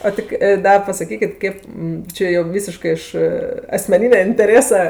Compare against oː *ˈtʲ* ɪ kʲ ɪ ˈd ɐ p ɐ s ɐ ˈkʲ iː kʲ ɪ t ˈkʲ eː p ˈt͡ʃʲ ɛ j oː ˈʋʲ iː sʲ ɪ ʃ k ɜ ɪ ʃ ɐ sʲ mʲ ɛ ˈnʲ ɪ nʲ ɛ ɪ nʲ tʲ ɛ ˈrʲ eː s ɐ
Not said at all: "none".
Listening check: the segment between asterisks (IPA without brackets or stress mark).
tʲ